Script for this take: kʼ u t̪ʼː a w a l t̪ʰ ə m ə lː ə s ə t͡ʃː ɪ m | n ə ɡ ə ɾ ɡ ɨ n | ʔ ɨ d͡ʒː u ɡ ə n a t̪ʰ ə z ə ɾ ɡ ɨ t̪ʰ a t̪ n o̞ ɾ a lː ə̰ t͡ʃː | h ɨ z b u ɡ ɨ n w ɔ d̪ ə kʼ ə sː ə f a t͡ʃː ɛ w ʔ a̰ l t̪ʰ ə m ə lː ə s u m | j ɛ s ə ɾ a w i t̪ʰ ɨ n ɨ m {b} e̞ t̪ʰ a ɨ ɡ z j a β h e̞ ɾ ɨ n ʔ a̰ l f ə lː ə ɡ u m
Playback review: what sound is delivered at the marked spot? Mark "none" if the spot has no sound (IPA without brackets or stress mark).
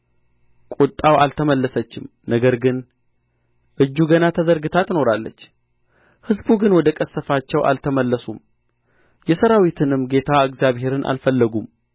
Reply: ɡ